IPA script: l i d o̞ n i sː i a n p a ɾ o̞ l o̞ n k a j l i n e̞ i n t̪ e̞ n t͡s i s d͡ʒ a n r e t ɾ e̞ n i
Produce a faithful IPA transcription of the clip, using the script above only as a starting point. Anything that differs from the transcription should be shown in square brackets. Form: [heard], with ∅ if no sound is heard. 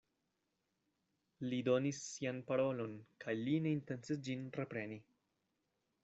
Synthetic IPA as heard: l i d o̞ n i sː i a n p a ɾ o̞ l o̞ n k a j l i n e̞ i n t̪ e̞ n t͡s i s d͡ʒ [i] n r e [p] ɾ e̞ n i

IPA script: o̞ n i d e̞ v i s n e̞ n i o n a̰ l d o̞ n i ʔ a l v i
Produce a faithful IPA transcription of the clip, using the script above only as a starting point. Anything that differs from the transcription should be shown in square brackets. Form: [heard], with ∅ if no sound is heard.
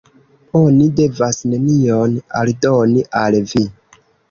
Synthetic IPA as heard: o̞ n i d e̞ v [a] s n e̞ n i o n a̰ l d o̞ n i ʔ a l v i

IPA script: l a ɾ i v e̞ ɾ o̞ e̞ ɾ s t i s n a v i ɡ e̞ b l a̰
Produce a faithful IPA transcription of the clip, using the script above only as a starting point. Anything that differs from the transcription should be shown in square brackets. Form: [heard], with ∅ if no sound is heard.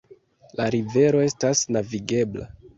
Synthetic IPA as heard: l a ɾ i v e̞ ɾ o̞ e̞ [∅] s t [a] s n a v i ɡ e̞ b l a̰

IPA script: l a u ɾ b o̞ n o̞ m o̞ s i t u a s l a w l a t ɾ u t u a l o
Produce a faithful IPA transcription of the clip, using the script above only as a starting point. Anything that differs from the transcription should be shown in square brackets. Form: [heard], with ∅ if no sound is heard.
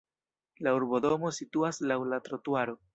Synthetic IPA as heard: l a u ɾ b o̞ [d] o̞ m o̞ s i t u a s l a w l a t ɾ [o] t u a [ɾ] o

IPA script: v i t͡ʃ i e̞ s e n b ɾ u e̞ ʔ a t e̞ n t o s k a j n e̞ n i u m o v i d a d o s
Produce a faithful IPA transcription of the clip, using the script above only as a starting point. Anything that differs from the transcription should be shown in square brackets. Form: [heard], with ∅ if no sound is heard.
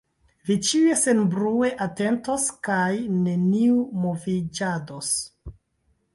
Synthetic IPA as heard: v i t͡ʃ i e̞ s e n b ɾ u e̞ ʔ a t e̞ n t o s k a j n e̞ n i u m o v i [d͡ʒ] a d o s

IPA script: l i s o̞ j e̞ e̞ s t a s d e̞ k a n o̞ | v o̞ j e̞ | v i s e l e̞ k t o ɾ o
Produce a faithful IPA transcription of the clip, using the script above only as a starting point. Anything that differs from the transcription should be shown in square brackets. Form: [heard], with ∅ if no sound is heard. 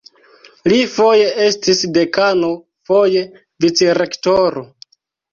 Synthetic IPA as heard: l i [f] o̞ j e̞ e̞ s t [i] s d e̞ k a n o̞ | [f] o̞ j e̞ | v i [t͡s] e [ɾ] e̞ k t o ɾ o

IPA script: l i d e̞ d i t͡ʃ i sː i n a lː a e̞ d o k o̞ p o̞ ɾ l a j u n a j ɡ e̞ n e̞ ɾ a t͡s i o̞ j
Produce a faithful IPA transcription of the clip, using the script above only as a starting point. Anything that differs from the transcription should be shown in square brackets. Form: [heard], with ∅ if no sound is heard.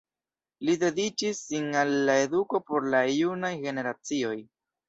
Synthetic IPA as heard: l i d e̞ d i t͡ʃ i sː i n a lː a e̞ d [u] k o̞ p o̞ ɾ l a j u n a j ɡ e̞ n e̞ ɾ a t͡s i o̞ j

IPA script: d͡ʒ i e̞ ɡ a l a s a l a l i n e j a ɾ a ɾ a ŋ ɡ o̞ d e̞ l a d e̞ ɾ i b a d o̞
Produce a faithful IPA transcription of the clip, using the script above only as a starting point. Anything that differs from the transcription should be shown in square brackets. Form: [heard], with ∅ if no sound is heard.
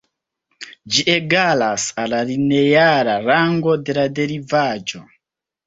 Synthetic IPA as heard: d͡ʒ i e̞ ɡ a l a s a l a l i n e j a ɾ a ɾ a ŋ ɡ o̞ d e̞ l a d e̞ ɾ i [v] a [d͡ʒ] o̞

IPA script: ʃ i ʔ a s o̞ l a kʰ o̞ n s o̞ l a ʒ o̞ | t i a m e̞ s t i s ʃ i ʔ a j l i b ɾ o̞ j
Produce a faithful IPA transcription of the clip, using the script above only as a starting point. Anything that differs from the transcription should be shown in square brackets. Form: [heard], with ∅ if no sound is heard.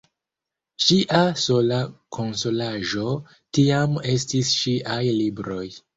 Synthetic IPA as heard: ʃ i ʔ a s o̞ l a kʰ o̞ n s o̞ l a ʒ o̞ | t i a m e̞ s t i s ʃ i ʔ a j l i b ɾ o̞ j

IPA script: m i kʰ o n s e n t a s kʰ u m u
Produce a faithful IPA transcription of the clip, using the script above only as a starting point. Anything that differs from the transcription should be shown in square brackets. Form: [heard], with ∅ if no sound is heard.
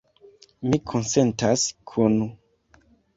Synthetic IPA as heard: m i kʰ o n s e n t a s kʰ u [n] u

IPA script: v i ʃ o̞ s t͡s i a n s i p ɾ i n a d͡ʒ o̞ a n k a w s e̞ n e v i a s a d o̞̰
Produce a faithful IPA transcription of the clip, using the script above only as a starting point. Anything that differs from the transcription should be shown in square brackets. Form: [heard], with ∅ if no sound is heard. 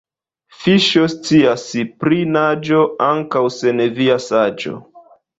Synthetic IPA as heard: [f] i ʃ o̞ s t͡s i a [∅] s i p ɾ i n a d͡ʒ o̞ a [ŋ] k a w s e̞ n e v i a s a [d͡ʒ] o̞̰

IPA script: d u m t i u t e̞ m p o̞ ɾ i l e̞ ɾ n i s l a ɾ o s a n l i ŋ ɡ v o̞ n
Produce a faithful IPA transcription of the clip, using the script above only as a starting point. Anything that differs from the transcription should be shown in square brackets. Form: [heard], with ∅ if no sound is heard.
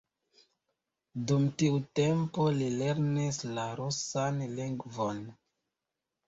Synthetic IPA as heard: d u m t i u t e̞ m p o̞ [l] i l e̞ ɾ n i s l a ɾ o s a n l i ŋ ɡ v o̞ n

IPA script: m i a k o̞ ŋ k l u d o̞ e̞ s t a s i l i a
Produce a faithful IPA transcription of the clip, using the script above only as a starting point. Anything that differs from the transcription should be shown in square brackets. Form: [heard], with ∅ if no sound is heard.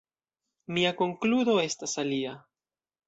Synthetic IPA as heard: m i a k o̞ ŋ k l u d o̞ e̞ s t a s [a] l i a

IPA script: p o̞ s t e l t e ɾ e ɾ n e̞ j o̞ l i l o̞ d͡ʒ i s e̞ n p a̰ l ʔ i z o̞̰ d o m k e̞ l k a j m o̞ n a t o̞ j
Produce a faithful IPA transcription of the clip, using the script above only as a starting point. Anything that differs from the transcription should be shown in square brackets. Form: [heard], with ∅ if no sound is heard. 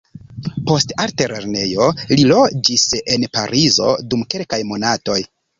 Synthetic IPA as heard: p o̞ s t [a] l t e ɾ e ɾ n e̞ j o̞ l i l o̞ d͡ʒ i s e̞ n p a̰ [ɾ] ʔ i z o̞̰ d [u] m k e̞ l k a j m o̞ n a t o̞ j

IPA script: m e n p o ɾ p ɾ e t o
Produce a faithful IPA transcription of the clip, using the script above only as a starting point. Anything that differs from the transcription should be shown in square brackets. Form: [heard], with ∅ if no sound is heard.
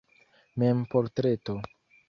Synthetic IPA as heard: m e [m] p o ɾ [t] ɾ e t o

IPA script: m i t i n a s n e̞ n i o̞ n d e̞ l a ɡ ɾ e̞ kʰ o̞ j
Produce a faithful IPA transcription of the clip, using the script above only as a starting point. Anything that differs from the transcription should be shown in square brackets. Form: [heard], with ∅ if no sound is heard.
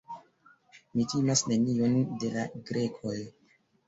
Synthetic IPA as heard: m i t i [m] a s n e̞ n i o̞ n d e̞ l a ɡ ɾ e̞ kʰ o̞ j

